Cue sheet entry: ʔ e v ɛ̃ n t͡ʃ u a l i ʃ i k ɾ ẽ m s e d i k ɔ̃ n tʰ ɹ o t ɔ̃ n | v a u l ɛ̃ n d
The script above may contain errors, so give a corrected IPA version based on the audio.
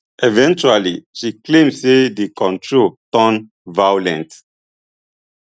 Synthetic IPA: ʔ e v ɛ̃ n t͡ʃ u a l i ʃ i k l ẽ m s e d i k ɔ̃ n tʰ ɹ o t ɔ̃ n | v a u l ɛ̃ n t